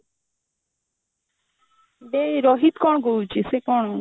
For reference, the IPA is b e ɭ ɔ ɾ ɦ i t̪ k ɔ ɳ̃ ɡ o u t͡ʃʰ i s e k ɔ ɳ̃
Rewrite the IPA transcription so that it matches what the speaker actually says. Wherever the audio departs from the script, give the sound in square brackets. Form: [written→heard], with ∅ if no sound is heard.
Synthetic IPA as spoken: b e [ɭ→ɾ] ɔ [ɾ→∅] ɦ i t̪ k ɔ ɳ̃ ɡ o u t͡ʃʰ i s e k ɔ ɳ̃